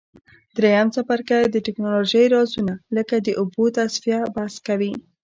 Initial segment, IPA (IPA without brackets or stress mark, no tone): d̪